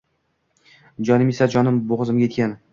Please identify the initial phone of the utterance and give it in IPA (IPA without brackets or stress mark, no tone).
d͡ʒ